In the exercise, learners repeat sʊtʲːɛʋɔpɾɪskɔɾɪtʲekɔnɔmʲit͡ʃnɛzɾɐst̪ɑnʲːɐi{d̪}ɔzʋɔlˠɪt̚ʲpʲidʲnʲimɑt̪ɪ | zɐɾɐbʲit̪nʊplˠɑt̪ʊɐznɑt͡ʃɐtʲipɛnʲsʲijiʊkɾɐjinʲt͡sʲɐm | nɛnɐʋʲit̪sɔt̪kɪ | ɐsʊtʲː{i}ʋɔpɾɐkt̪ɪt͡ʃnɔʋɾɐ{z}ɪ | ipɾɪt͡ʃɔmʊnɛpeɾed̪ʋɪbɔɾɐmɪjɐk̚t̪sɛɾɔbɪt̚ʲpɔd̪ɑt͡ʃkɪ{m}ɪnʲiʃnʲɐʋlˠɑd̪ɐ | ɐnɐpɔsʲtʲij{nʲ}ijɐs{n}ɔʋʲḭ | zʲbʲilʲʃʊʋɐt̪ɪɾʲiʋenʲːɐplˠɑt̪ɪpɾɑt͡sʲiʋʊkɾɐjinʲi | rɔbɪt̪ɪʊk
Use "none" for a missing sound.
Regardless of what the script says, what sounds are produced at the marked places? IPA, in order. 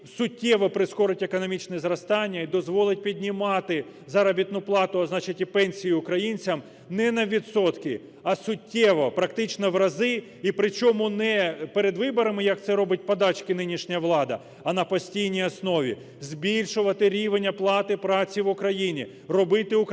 d̪, ɛ, z, n, nʲ, n

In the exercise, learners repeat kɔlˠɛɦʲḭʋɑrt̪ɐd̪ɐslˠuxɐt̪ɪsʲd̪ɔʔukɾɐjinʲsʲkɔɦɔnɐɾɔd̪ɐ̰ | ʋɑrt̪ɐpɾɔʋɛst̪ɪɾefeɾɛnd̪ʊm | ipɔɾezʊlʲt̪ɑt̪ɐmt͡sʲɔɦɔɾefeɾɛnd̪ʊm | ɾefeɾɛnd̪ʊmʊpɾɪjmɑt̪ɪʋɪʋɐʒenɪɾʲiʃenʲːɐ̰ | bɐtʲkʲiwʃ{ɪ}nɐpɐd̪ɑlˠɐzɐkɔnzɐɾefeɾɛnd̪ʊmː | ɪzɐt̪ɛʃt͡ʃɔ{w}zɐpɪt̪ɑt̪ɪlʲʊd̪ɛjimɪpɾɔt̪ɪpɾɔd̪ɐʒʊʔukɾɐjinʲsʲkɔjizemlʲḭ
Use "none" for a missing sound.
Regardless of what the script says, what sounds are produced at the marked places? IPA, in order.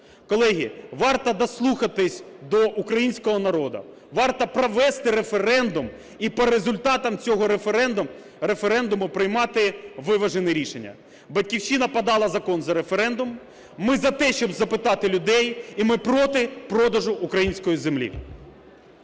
i, b

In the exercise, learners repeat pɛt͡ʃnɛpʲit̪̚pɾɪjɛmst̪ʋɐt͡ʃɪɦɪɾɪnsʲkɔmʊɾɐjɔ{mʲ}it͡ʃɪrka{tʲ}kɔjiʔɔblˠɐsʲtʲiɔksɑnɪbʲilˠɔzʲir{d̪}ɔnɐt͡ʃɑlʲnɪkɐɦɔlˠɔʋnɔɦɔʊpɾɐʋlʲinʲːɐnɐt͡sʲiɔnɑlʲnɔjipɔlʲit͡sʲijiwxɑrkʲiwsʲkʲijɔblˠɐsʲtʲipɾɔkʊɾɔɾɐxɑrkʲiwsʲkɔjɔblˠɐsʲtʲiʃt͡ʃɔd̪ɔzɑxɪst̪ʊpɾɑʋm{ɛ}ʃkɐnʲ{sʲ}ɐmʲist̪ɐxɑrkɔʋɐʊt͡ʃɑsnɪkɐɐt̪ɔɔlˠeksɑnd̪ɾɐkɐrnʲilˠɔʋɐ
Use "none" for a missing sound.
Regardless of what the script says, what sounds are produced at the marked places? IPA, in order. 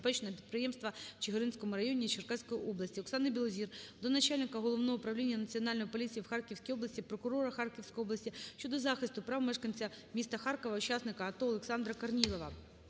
nʲ, sʲ, d̪, ɛ, t͡sʲ

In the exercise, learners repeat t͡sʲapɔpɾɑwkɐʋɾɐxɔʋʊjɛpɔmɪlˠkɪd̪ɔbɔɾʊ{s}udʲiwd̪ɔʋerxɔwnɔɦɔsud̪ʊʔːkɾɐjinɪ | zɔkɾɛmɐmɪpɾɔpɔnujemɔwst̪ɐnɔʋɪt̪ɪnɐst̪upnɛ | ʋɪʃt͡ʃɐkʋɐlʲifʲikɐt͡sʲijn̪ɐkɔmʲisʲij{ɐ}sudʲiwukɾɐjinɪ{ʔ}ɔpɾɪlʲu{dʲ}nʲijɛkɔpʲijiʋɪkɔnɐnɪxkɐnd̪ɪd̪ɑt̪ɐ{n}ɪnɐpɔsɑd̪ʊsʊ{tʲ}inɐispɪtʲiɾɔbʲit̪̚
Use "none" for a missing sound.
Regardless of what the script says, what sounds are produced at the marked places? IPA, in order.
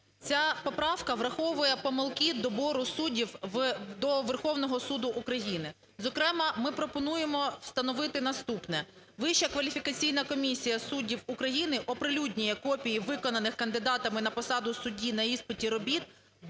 s, ɐ, ʔ, dʲ, m, dʲ

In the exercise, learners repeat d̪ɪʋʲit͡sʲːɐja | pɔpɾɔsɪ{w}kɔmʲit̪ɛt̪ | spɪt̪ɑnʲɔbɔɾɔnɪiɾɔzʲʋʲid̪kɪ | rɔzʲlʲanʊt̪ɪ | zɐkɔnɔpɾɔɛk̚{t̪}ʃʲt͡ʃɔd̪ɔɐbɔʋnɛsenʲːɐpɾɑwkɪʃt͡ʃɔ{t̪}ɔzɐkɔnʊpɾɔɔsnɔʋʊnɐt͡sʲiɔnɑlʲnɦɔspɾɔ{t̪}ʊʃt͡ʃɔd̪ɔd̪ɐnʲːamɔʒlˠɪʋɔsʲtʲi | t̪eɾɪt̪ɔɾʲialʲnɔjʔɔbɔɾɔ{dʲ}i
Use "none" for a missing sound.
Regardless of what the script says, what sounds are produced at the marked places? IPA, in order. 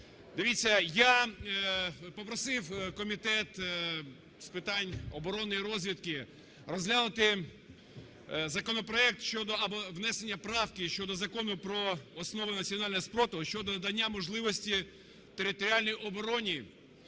w, t̪, d̪, t̪, nʲ

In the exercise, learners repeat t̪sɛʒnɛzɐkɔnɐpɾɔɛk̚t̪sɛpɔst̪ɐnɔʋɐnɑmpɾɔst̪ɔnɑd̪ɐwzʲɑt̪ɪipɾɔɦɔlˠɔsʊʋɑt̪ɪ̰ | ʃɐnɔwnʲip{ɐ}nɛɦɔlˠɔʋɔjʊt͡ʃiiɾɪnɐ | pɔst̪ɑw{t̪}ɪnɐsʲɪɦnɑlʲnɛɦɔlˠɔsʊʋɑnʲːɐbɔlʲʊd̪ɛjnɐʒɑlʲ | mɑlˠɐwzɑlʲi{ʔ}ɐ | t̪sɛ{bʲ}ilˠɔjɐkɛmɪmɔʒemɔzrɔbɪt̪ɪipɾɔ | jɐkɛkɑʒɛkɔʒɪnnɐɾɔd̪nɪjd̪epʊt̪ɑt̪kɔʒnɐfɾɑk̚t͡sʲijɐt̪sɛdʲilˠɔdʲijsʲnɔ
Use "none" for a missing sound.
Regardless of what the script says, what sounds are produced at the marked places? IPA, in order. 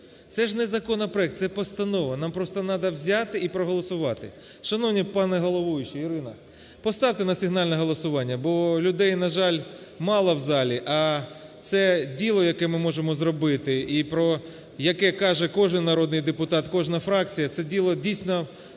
ɑ, t̪, ʔ, dʲ

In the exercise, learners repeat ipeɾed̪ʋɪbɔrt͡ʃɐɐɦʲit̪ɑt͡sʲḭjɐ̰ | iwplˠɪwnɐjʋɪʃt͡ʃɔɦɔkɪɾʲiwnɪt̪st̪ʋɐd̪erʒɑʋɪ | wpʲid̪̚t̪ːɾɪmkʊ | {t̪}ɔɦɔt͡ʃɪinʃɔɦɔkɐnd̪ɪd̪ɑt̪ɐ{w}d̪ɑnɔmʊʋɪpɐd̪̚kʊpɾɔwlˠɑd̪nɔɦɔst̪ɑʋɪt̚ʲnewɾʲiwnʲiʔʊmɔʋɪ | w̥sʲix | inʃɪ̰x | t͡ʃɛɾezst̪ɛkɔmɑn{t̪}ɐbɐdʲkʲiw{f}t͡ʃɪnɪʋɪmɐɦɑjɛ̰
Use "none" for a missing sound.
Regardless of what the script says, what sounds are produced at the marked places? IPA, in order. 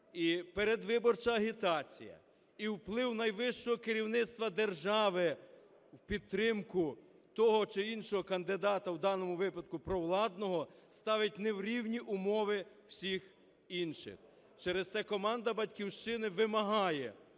t̪, w, d̪, ʃ

